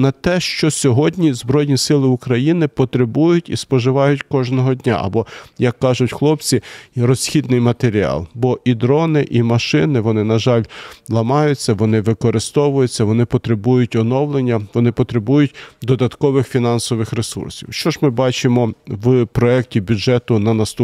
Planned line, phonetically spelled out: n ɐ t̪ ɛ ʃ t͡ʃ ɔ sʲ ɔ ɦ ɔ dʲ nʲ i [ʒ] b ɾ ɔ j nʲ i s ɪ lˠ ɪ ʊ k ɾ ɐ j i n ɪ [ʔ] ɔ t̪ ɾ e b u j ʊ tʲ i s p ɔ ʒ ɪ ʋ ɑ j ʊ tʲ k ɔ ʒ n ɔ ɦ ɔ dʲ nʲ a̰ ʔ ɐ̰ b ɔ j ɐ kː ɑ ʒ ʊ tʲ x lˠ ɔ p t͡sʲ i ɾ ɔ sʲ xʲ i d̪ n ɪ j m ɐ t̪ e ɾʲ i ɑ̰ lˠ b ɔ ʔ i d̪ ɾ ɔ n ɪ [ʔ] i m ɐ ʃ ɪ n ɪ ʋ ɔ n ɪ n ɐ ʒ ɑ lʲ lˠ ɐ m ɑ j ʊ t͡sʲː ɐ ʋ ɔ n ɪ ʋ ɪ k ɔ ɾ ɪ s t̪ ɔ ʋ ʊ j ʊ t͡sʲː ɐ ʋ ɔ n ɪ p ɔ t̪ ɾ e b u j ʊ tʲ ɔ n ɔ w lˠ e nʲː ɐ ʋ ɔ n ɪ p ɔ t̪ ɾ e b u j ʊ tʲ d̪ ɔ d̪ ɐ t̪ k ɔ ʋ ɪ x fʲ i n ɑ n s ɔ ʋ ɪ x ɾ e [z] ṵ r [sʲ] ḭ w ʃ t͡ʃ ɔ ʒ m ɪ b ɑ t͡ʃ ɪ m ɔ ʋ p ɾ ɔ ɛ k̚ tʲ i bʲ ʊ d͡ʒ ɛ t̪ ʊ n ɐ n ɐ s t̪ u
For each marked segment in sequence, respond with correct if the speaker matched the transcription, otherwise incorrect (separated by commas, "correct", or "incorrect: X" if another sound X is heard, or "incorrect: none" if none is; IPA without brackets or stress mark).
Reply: incorrect: z, incorrect: p, correct, incorrect: s, correct